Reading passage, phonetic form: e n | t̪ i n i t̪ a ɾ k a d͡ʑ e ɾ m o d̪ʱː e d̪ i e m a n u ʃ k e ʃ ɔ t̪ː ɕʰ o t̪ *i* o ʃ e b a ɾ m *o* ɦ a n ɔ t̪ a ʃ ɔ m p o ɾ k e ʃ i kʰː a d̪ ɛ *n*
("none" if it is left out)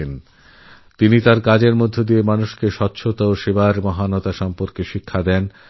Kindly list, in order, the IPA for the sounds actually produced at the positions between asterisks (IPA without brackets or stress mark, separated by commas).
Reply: a, ɔ, n